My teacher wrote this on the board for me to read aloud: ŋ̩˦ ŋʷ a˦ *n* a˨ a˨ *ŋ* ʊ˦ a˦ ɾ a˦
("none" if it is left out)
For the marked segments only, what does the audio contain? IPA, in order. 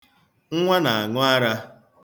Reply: n, ŋ

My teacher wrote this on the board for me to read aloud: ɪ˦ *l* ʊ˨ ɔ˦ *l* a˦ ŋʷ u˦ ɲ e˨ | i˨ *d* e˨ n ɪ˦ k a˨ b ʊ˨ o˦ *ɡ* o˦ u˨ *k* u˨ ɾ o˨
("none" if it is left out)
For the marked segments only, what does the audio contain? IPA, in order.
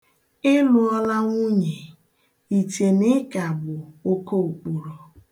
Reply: l, l, t, k, k͡p

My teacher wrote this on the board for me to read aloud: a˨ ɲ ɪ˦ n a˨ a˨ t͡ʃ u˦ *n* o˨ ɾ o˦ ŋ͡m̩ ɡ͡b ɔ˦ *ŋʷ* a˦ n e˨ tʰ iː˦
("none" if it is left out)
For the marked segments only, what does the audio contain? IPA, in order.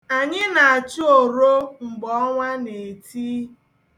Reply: none, ŋʷ

